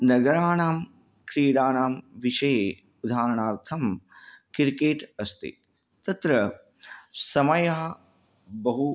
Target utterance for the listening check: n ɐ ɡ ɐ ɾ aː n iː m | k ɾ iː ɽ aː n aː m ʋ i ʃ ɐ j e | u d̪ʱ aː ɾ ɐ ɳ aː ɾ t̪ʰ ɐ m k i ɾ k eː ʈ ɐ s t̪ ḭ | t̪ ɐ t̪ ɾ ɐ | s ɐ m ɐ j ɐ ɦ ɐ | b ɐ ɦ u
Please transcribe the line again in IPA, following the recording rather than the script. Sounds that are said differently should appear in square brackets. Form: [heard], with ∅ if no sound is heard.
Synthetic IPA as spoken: n ɐ ɡ ɐ ɾ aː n [aː] m | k ɾ iː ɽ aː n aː m ʋ i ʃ ɐ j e | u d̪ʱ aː ɾ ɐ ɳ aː ɾ t̪ʰ ɐ m k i ɾ k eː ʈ ɐ s t̪ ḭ | t̪ ɐ t̪ ɾ ɐ | s ɐ m ɐ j ɐ ɦ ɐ | b ɐ ɦ u

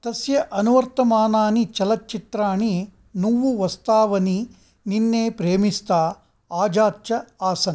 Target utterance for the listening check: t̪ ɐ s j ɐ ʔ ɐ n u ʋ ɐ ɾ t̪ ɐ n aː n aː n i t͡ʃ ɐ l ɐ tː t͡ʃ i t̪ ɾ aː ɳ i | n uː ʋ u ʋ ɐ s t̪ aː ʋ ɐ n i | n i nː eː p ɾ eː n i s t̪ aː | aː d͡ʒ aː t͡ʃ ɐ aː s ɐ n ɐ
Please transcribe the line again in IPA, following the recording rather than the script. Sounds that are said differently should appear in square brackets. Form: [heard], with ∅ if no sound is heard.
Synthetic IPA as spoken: t̪ ɐ s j ɐ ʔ ɐ n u ʋ ɐ ɾ t̪ ɐ [m] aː n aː n i t͡ʃ ɐ l ɐ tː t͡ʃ i t̪ ɾ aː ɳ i | n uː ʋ u ʋ ɐ s t̪ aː ʋ ɐ n i | n i nː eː p ɾ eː [m] i s t̪ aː | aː d͡ʒ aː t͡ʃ ɐ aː s ɐ n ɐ

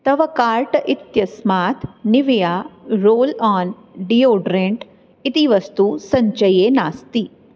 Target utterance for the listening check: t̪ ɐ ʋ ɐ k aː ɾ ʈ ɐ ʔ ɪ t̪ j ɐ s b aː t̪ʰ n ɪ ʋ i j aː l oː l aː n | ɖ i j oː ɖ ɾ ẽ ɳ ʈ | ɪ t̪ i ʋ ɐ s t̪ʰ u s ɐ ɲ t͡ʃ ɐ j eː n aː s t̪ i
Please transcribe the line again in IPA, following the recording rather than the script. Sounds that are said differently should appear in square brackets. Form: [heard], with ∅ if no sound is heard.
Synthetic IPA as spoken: t̪ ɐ ʋ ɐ k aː ɾ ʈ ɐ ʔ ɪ t̪ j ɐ s [m] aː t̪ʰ n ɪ ʋ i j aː [ɾ] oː l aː n | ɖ i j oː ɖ ɾ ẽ ɳ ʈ | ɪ t̪ i ʋ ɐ s [t̪] u s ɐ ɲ t͡ʃ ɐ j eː n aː s t̪ i

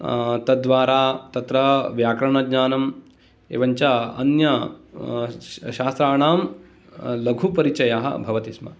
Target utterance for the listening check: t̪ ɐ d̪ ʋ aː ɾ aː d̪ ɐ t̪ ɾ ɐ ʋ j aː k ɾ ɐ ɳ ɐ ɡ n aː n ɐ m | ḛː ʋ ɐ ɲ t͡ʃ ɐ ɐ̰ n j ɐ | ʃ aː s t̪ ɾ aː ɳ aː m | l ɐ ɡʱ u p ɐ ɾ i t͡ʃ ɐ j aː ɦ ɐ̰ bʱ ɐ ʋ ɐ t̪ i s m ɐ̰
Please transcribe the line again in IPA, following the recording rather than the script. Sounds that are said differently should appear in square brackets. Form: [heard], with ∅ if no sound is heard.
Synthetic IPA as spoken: t̪ ɐ d̪ ʋ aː ɾ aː [t̪] ɐ t̪ ɾ ɐ ʋ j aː k ɾ ɐ ɳ ɐ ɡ [ɲ] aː n ɐ m | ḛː ʋ ɐ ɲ t͡ʃ ɐ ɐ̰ n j ɐ | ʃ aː s t̪ ɾ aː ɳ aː m | l ɐ ɡʱ u p ɐ ɾ i t͡ʃ ɐ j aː ɦ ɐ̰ bʱ ɐ ʋ ɐ t̪ i s m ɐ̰

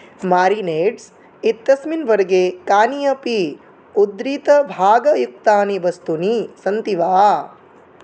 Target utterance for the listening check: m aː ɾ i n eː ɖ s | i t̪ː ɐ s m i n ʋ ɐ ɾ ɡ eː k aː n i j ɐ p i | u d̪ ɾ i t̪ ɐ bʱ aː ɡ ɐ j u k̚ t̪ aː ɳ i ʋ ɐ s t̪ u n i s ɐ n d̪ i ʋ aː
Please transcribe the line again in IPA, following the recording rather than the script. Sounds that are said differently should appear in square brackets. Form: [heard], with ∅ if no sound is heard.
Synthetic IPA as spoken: m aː ɾ i n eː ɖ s | i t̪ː ɐ s m i n ʋ ɐ ɾ ɡ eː k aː n i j ɐ p i | u d̪ ɾ i t̪ ɐ bʱ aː ɡ ɐ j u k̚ t̪ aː [n] i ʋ ɐ s t̪ u n i s ɐ n [t̪] i ʋ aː

